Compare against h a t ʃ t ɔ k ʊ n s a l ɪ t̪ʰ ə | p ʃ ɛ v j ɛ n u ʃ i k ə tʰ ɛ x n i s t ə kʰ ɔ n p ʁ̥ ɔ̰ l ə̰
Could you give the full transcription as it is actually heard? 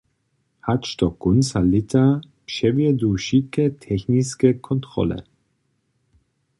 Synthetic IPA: h a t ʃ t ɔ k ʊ n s a l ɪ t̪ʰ a | p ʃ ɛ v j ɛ d u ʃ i k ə tʰ ɛ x n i s k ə kʰ ɔ n t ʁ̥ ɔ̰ l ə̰